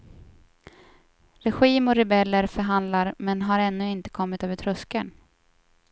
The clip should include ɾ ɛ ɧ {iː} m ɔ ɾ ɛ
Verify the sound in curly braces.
correct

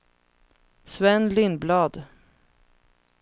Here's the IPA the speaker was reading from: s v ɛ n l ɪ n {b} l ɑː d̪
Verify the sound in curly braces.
correct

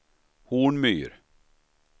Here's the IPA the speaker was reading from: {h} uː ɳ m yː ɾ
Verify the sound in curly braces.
correct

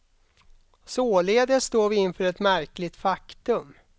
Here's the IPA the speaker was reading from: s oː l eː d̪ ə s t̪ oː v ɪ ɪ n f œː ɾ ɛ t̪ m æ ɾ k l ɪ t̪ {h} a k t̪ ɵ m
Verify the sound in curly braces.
incorrect: f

